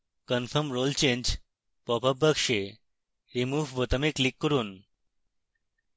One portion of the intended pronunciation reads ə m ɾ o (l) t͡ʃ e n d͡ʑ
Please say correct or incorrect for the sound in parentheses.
correct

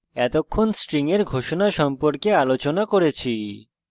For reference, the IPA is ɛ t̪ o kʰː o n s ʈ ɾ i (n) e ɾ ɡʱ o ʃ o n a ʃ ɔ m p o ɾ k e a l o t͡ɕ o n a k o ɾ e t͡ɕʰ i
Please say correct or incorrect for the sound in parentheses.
incorrect: ŋ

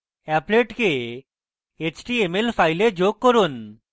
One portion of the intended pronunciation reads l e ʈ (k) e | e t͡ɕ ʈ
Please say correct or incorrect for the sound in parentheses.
correct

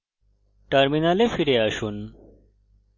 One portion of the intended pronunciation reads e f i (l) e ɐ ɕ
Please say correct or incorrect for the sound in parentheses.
incorrect: ɾ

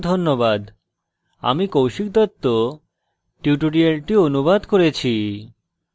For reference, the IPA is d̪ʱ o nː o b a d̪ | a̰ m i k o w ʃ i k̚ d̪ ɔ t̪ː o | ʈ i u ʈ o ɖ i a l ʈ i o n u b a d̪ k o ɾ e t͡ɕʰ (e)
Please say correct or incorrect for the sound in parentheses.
incorrect: i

